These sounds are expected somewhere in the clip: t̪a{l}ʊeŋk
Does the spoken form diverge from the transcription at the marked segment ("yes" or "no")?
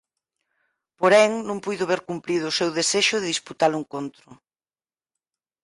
no